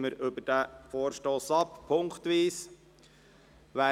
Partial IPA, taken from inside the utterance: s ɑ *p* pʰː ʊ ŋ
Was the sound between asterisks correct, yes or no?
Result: yes